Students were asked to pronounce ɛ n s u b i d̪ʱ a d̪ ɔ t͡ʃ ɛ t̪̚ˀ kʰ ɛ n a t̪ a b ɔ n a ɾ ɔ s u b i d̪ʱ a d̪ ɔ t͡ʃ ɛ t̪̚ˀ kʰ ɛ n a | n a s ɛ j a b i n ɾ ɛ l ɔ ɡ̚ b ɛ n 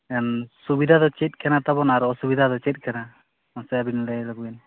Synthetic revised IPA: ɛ n s u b i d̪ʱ a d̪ ɔ t͡ʃ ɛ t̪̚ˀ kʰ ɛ n a t̪ a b ɔ n a ɾ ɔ s u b i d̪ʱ a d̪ ɔ t͡ʃ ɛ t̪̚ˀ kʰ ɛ n a | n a s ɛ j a b i n l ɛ l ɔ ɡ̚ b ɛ n